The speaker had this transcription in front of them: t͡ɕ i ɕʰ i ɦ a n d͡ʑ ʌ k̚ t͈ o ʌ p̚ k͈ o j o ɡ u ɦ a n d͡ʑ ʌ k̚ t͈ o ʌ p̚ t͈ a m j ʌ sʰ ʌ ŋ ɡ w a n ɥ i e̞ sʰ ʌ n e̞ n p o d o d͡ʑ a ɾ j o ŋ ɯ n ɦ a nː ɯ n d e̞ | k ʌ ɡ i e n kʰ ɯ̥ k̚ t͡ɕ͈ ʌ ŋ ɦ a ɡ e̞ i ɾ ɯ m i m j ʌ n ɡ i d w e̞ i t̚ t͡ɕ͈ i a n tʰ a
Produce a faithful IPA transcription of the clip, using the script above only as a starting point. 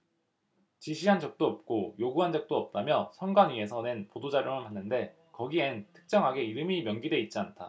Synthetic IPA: t͡ɕ i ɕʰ i ɦ a n d͡ʑ ʌ k̚ t͈ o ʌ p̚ k͈ o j o ɡ u ɦ a n d͡ʑ ʌ k̚ t͈ o ʌ p̚ t͈ a m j ʌ sʰ ʌ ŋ ɡ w a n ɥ i e̞ sʰ ʌ n e̞ n p o d o d͡ʑ a ɾ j o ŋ ɯ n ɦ a nː ɯ n d e̞ | k ʌ ɡ i e n tʰ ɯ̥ k̚ t͡ɕ͈ ʌ ŋ ɦ a ɡ e̞ i ɾ ɯ m i m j ʌ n ɡ i d w e̞ i t̚ t͡ɕ͈ i a n tʰ a

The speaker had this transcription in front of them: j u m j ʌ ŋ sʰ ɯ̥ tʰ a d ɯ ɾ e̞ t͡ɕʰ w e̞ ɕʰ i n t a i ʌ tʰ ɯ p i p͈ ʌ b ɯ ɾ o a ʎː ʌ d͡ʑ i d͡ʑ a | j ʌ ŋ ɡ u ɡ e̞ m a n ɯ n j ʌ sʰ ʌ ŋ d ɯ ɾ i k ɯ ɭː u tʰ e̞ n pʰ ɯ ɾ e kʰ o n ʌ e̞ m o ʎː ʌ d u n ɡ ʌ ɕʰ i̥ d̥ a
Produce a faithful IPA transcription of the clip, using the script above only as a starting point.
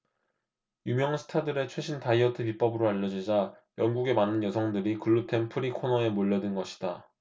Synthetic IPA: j u m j ʌ ŋ sʰ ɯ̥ tʰ a d ɯ ɾ e̞ t͡ɕʰ w e̞ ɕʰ i n t a i ʌ tʰ ɯ p i p͈ ʌ b ɯ ɾ o a ʎː ʌ d͡ʑ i d͡ʑ a | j ʌ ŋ ɡ u ɡ e̞ m a n ɯ n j ʌ sʰ ʌ ŋ d ɯ ɾ i k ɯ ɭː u tʰ e̞ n pʰ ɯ ɾ i kʰ o n ʌ e̞ m o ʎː ʌ d ɯ n ɡ ʌ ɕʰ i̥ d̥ a

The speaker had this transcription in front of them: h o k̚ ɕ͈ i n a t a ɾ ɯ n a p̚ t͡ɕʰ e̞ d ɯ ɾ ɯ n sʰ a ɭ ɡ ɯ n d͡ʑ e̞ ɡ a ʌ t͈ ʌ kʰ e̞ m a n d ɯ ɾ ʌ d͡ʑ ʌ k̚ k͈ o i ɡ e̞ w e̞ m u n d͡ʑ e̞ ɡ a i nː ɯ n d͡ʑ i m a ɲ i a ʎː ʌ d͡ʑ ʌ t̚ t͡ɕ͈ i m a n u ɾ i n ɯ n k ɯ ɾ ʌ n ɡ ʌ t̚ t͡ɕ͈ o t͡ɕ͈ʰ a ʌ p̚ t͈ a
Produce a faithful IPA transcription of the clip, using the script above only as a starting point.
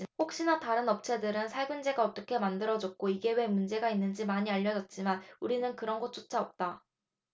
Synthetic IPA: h o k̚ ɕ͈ i n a t a ɾ ɯ n ʌ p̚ t͡ɕʰ e̞ d ɯ ɾ ɯ n sʰ a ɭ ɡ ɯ n d͡ʑ e̞ ɡ a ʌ t͈ ʌ kʰ e̞ m a n d ɯ ɾ ʌ d͡ʑ ʌ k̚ k͈ o i ɡ e̞ w e̞ m u n d͡ʑ e̞ ɡ a i nː ɯ n d͡ʑ i m a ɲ i a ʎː ʌ d͡ʑ ʌ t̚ t͡ɕ͈ i m a n u ɾ i n ɯ n k ɯ ɾ ʌ n ɡ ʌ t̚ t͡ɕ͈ o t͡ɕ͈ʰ a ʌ p̚ t͈ a

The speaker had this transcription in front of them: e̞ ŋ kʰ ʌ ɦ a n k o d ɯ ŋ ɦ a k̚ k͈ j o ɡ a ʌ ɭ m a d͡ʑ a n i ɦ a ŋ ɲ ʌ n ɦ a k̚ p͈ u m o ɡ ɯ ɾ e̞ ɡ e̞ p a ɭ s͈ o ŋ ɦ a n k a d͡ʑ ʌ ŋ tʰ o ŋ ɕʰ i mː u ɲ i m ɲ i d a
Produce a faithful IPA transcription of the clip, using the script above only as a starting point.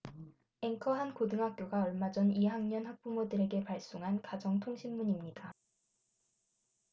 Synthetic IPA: e̞ ŋ kʰ ʌ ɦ a n k o d ɯ ŋ ɦ a k̚ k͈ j o ɡ a ʌ ɭ m a d͡ʑ ʌ n i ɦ a ŋ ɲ ʌ n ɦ a k̚ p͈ u m o d ɯ ɾ e̞ ɡ e̞ p a ɭ s͈ o ŋ ɦ a n k a d͡ʑ ʌ ŋ tʰ o ŋ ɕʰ i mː u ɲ i m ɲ i d a

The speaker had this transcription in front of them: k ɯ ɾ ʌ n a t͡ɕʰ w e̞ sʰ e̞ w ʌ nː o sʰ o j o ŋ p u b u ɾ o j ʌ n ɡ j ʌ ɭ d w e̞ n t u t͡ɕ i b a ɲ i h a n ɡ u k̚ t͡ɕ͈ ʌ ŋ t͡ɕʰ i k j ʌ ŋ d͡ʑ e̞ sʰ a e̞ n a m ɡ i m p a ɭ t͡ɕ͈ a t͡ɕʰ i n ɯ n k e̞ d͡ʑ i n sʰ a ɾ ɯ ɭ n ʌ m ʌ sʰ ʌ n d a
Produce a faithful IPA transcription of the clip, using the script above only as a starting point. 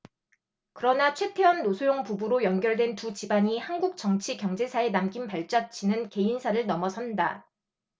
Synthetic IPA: k ɯ ɾ ʌ n a t͡ɕʰ w e̞ tʰ e̞ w ʌ nː o sʰ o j o ŋ p u b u ɾ o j ʌ n ɡ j ʌ ɭ d w e̞ n t u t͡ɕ i b a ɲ i h a n ɡ u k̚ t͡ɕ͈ ʌ ŋ t͡ɕʰ i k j ʌ ŋ d͡ʑ e̞ sʰ a e̞ n a m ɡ i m p a ɭ t͡ɕ͈ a t͡ɕʰ i n ɯ n k e̞ i n sʰ a ɾ ɯ ɭ n ʌ m ʌ sʰ ʌ n d a

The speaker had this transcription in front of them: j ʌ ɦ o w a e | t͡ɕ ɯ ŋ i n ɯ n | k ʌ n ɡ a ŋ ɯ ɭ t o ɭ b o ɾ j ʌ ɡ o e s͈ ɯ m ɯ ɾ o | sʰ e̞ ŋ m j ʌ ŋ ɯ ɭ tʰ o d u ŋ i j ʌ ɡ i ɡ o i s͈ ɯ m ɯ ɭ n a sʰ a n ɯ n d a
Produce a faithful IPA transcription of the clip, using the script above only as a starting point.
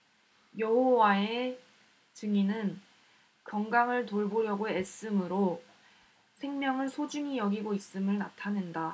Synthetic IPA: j ʌ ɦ o w a e | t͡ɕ ɯ ŋ i n ɯ n | k ʌ ŋ ɡ a ŋ ɯ ɭ t o ɭ b o ɾ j ʌ ɡ o e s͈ ɯ m ɯ ɾ o | sʰ e̞ ŋ m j ʌ ŋ ɯ ɭ sʰ o d͡ʑ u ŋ i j ʌ ɡ i ɡ o i s͈ ɯ m ɯ ɭ n a tʰ a n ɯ n d a

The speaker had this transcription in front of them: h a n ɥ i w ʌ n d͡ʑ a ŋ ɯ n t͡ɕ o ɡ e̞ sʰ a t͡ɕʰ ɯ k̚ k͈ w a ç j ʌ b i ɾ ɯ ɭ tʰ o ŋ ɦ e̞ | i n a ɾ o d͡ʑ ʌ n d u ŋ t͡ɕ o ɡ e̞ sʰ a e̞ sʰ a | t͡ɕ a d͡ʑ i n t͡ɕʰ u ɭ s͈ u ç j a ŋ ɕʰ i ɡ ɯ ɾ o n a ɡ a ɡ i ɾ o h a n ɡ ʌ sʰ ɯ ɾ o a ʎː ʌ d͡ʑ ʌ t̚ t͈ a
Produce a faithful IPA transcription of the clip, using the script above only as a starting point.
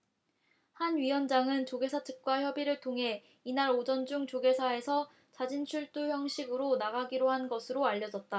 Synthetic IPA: h a n ɥ i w ʌ n d͡ʑ a ŋ ɯ n t͡ɕ o ɡ e̞ sʰ a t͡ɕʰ ɯ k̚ k͈ w a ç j ʌ b i ɾ ɯ ɭ tʰ o ŋ ɦ e̞ | i n a ɾ o d͡ʑ ʌ n d͡ʑ u ŋ t͡ɕ o ɡ e̞ sʰ a e̞ sʰ ʌ | t͡ɕ a d͡ʑ i n t͡ɕʰ u ɭ t͈ u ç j ʌ ŋ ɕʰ i ɡ ɯ ɾ o n a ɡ a ɡ i ɾ o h a n ɡ ʌ sʰ ɯ ɾ o a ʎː ʌ d͡ʑ ʌ t̚ t͈ a

